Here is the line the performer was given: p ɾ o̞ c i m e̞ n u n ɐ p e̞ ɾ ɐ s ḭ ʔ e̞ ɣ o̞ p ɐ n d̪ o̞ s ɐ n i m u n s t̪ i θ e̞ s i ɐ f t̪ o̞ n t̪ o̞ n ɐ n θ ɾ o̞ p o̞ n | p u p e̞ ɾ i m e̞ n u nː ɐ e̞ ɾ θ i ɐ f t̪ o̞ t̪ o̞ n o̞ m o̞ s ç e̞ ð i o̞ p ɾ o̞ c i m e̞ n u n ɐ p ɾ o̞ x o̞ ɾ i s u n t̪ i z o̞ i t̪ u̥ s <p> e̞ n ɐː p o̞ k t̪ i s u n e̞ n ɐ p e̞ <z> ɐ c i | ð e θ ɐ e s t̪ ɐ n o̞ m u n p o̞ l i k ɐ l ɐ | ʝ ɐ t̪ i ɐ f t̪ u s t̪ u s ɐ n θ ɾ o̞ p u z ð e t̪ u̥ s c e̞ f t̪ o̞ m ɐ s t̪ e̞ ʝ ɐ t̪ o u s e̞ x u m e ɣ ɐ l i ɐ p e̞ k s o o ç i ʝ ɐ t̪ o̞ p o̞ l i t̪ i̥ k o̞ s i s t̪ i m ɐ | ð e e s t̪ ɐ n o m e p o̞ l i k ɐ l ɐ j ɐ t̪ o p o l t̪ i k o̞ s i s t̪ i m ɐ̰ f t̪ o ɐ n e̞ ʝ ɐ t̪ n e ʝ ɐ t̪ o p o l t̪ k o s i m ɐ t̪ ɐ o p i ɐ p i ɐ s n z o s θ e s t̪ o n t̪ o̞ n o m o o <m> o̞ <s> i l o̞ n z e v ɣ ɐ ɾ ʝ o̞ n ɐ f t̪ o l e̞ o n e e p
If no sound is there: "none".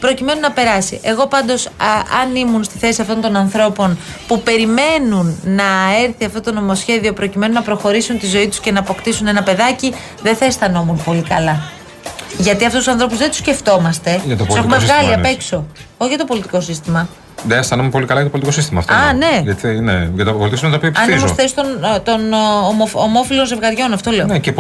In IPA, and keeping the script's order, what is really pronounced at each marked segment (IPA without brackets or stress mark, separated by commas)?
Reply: c, ð, m, f